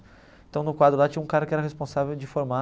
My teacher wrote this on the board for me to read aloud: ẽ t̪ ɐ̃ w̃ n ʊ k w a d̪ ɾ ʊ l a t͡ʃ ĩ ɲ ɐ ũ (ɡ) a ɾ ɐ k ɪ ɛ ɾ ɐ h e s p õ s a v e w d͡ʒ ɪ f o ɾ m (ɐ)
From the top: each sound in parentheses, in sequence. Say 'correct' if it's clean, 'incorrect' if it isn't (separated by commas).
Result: incorrect, incorrect